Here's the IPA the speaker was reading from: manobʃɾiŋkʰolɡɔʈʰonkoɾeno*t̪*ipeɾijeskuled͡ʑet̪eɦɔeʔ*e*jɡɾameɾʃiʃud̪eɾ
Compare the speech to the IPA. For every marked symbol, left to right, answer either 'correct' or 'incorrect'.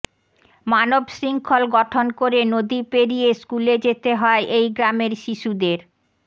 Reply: incorrect: d̪, correct

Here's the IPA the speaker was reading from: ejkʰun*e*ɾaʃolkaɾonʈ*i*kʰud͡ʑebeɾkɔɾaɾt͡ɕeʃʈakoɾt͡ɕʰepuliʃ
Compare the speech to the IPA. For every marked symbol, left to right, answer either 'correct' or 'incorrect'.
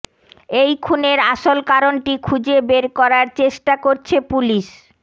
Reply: correct, correct

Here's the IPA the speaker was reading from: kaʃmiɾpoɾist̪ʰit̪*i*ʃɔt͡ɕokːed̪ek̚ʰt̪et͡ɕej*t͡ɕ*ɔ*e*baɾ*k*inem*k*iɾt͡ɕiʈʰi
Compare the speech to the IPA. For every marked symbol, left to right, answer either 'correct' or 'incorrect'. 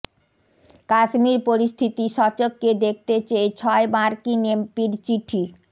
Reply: correct, incorrect: t͡ɕʰ, correct, correct, incorrect: p

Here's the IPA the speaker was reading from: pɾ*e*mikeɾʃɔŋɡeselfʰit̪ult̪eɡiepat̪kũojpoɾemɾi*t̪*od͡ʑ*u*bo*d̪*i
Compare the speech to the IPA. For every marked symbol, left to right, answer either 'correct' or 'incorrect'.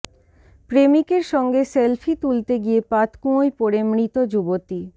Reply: correct, correct, correct, incorrect: t̪

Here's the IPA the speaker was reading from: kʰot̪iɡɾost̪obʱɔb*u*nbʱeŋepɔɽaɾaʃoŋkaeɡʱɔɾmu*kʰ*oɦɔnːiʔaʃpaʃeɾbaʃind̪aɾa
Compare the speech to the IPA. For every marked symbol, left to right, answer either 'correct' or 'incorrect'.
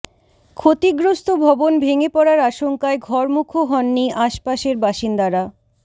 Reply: incorrect: o, correct

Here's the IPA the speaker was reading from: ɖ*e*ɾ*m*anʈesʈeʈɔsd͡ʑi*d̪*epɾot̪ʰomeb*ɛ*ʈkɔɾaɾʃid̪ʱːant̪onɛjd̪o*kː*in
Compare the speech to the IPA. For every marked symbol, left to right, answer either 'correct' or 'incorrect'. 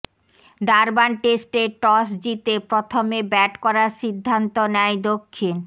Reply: incorrect: a, incorrect: b, incorrect: t̪, correct, incorrect: kʰː

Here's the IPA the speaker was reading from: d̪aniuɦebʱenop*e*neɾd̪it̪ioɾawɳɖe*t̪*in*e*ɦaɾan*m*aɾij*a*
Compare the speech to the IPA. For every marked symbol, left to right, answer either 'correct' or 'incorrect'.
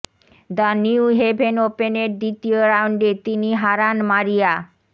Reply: correct, correct, incorrect: i, correct, correct

